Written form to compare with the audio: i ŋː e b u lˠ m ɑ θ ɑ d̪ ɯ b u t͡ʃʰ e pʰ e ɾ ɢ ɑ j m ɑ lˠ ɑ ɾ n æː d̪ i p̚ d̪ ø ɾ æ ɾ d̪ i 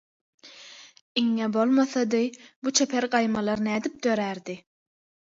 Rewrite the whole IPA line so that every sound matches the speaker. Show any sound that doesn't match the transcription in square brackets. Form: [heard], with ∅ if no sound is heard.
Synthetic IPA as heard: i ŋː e b [o] lˠ m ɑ θ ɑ d̪ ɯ b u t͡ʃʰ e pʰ e ɾ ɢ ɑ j m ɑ lˠ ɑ ɾ n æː d̪ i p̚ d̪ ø ɾ æ ɾ d̪ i